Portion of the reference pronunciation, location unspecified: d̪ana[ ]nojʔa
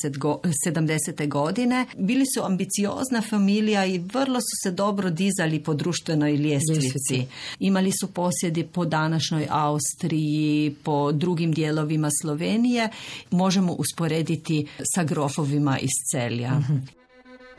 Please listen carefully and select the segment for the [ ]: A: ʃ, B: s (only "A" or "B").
A